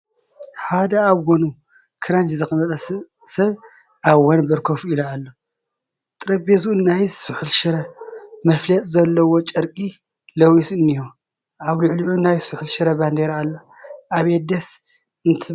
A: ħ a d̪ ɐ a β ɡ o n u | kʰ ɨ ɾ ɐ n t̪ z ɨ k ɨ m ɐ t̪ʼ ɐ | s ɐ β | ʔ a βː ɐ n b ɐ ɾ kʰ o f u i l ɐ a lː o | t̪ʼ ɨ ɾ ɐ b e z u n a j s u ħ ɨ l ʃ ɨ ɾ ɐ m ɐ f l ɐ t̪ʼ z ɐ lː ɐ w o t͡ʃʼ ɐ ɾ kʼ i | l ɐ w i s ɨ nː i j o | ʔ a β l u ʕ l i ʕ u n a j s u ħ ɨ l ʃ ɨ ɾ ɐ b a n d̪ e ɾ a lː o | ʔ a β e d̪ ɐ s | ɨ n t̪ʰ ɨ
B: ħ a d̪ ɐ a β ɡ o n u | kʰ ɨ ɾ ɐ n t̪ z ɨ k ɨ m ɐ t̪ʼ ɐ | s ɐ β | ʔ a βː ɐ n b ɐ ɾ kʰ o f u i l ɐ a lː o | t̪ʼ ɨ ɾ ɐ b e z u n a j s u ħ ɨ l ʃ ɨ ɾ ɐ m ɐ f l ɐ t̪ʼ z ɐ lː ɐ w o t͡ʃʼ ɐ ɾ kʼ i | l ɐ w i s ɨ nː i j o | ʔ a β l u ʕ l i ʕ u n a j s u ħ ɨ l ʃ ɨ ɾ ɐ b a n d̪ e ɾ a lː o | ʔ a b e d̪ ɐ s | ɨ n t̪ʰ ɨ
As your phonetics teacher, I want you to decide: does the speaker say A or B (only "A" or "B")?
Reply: A